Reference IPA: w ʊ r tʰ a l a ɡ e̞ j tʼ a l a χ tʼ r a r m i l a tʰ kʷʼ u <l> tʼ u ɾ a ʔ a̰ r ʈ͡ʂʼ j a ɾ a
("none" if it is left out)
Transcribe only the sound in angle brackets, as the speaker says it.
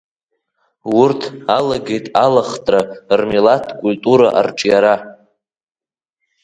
l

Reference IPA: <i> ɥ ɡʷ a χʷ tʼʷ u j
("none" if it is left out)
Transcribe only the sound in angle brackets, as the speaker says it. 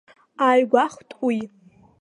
a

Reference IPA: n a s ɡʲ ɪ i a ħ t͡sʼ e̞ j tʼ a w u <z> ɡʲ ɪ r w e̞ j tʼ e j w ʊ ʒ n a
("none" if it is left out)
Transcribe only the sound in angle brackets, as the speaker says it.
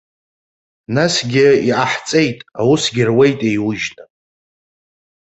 s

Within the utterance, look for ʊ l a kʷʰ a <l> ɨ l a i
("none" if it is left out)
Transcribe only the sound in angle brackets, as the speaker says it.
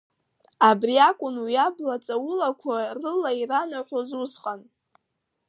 r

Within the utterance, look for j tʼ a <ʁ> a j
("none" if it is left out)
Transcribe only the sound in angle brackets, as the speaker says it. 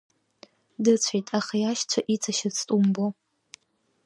χ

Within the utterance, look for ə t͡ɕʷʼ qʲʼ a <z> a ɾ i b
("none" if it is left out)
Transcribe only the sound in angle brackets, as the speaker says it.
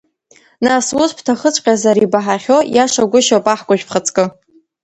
z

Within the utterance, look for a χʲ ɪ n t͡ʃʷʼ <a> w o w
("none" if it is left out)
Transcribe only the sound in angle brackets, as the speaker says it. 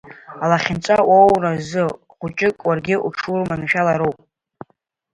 a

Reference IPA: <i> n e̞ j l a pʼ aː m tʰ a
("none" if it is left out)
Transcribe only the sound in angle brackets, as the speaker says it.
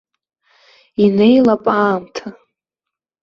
i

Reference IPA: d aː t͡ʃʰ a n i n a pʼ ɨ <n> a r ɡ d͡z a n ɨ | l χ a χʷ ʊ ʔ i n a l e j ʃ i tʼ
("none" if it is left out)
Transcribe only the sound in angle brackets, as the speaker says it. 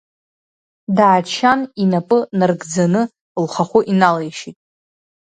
n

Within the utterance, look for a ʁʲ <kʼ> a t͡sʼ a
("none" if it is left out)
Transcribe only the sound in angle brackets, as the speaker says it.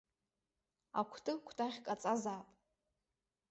kʼ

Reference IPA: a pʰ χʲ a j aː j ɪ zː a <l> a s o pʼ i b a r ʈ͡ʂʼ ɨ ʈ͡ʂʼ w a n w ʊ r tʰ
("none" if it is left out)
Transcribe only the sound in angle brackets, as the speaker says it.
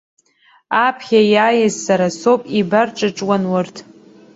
ɾ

